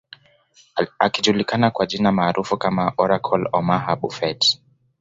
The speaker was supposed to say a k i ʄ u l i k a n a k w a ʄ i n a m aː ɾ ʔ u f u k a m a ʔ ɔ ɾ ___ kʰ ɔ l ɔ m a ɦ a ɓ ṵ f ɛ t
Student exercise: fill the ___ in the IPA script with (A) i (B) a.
B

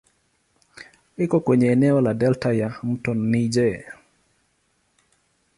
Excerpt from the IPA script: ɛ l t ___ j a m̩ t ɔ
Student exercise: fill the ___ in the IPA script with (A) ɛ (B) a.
B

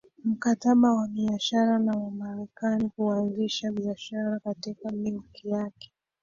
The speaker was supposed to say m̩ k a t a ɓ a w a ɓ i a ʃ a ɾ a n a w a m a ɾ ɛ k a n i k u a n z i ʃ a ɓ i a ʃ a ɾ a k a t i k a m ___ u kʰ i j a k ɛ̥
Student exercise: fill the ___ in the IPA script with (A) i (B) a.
A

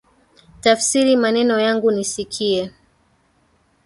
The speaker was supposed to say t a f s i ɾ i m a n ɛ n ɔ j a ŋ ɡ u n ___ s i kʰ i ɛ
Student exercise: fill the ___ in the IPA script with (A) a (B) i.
B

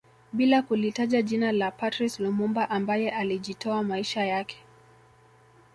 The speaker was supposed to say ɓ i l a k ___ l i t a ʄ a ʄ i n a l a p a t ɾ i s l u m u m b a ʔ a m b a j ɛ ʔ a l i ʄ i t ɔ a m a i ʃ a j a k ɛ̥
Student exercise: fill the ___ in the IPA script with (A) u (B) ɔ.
A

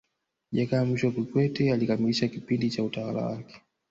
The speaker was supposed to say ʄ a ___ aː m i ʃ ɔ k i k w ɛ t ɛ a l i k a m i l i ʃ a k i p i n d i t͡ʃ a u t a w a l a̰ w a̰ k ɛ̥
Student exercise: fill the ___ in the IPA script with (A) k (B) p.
A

